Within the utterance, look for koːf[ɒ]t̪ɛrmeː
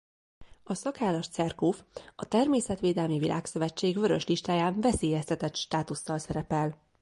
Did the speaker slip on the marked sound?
no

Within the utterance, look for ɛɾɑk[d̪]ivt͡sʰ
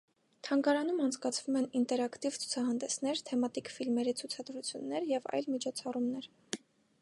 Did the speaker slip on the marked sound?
yes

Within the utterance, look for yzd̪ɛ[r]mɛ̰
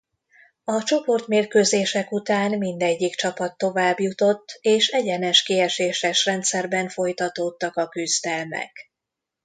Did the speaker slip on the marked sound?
yes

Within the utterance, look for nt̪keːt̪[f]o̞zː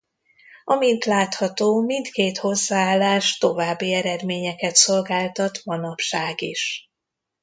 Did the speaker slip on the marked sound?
yes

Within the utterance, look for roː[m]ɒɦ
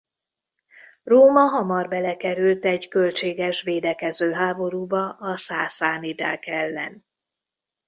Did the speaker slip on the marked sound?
no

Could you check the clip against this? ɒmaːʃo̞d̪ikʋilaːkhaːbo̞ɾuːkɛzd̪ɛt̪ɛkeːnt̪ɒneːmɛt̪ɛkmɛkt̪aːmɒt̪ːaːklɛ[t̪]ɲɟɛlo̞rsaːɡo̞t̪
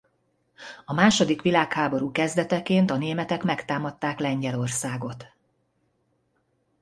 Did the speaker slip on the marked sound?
yes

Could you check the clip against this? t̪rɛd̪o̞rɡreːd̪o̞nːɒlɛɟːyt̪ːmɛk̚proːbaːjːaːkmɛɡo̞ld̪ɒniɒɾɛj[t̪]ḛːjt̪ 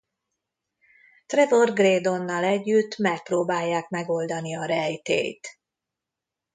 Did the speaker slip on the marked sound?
no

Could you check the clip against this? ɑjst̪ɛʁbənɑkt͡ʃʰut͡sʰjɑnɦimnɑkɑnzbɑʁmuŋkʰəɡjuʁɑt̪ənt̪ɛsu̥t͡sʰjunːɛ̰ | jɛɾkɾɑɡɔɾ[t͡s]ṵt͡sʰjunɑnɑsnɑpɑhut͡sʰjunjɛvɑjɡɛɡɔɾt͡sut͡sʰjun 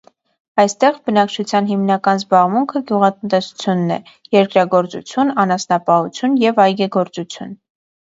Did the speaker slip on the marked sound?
no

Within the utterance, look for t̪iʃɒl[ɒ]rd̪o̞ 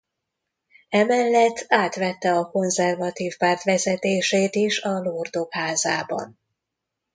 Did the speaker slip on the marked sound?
yes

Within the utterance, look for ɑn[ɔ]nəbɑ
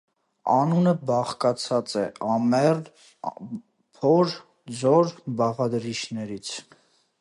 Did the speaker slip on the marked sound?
yes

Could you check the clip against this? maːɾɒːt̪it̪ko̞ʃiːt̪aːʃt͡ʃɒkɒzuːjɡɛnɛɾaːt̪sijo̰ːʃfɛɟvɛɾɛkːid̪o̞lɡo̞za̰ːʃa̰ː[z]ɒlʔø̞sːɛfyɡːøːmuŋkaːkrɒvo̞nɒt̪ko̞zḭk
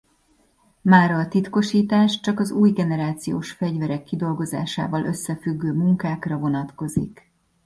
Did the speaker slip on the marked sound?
yes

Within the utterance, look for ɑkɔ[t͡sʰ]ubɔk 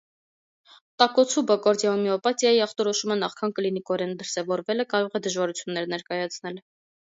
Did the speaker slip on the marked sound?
no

